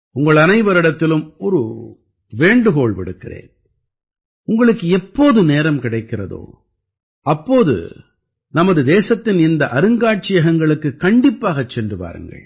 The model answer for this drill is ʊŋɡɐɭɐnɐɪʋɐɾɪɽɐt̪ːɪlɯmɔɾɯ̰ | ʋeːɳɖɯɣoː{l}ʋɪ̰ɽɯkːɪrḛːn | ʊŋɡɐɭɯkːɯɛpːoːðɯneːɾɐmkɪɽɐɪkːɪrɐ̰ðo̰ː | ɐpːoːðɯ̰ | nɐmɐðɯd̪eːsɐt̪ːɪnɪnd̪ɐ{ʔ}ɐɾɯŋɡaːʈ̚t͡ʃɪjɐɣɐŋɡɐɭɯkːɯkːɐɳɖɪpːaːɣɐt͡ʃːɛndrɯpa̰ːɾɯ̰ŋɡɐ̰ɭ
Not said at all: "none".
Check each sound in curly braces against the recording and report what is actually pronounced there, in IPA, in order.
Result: ɭ, ʔ

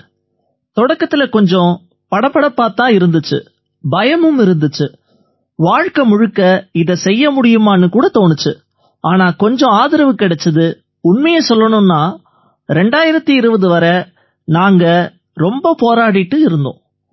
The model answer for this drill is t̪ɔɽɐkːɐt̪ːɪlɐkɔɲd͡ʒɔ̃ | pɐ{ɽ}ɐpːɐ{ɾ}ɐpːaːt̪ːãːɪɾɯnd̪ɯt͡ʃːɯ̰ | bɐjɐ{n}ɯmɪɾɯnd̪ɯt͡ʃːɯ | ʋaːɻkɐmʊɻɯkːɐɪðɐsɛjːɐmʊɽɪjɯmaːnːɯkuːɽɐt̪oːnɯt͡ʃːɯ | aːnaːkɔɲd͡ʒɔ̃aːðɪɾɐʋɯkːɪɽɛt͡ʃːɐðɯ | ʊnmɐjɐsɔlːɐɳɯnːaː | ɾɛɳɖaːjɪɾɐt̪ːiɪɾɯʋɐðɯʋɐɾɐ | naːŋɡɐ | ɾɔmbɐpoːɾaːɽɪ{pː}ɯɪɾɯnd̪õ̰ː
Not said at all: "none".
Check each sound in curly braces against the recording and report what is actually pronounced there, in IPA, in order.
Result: ɽ, ɽ, m, ʈː

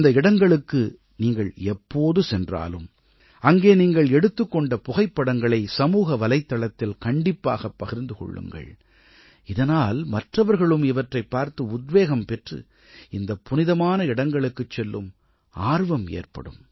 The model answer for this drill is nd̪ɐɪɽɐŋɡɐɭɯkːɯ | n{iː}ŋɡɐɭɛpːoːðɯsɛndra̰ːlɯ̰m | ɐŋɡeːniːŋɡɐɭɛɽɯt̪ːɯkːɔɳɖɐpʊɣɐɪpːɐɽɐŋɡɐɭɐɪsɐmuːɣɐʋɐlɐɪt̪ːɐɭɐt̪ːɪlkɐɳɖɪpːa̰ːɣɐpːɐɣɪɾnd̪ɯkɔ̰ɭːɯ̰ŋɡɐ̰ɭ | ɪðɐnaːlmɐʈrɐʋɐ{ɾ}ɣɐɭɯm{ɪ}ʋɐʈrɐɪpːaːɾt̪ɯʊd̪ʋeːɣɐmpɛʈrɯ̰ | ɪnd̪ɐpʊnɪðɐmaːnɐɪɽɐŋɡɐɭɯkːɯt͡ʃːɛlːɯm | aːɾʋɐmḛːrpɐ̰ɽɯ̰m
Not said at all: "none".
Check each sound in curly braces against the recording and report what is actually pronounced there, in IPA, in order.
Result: iː, ɾ, ɪ

